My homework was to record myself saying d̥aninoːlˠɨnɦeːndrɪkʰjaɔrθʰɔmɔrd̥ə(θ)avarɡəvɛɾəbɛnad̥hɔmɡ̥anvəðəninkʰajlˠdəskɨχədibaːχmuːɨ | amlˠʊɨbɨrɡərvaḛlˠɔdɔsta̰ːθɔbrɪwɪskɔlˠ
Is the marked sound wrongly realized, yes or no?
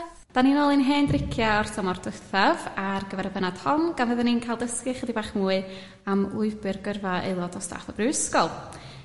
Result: no